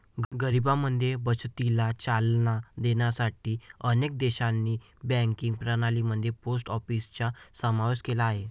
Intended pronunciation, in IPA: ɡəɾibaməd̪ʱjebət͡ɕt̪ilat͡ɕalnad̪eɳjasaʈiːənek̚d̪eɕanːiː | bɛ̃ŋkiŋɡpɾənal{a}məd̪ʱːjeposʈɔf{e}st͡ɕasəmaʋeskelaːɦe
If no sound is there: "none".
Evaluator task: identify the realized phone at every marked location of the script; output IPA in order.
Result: i, i

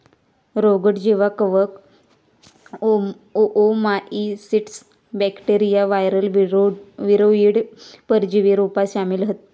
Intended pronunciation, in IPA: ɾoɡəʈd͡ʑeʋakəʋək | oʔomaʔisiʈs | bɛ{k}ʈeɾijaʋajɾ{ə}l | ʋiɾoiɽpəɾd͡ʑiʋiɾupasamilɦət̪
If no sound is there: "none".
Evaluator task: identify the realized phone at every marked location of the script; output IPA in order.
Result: k, ə

